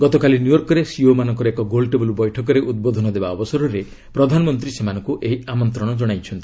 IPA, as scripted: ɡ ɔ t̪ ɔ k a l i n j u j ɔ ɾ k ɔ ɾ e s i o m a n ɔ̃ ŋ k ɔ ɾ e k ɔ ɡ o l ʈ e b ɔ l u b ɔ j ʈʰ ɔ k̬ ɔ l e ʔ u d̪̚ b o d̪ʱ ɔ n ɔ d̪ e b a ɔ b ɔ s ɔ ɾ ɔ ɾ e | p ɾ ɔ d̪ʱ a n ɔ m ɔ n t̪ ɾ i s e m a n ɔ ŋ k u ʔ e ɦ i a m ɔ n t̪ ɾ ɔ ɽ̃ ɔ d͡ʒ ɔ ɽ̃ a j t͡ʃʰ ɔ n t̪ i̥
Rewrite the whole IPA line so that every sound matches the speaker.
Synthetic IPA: ɡ ɔ t̪ ɔ k a l i n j u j ɔ ɾ k ɔ ɾ e s i o m a n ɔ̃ ŋ k ɔ ɾ e k ɔ ɡ o l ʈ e b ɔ l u b ɔ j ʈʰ ɔ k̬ ɔ ɾ e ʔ u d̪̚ b o d̪ʱ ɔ n ɔ d̪ e b a ɔ b ɔ s ɔ ɾ ɔ ɾ e | p ɾ ɔ d̪ʱ a n ɔ m ɔ n t̪ ɾ i s e m a n ɔ ŋ k u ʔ e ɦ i a m ɔ n t̪ ɾ ɔ ɽ̃ ɔ d͡ʒ ɔ ɽ̃ a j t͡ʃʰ ɔ n t̪ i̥